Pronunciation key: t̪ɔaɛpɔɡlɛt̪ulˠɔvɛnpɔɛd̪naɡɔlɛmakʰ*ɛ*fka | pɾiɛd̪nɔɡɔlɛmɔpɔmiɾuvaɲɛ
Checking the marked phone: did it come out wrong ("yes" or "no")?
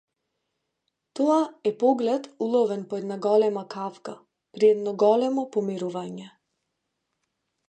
yes